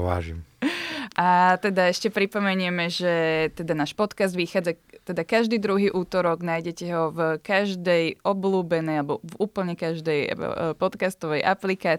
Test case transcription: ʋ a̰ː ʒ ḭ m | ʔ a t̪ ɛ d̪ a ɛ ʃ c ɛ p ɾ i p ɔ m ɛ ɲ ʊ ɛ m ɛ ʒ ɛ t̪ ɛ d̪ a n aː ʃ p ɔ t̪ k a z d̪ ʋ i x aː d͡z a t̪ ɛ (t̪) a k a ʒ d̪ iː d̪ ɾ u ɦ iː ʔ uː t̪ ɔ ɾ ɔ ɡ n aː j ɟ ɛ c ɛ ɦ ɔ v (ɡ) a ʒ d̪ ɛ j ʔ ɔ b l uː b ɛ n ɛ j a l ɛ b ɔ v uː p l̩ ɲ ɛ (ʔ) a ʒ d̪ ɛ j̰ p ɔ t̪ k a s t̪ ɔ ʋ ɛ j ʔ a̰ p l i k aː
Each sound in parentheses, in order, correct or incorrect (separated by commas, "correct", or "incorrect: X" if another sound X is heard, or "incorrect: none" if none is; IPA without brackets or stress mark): incorrect: d̪, incorrect: k, incorrect: k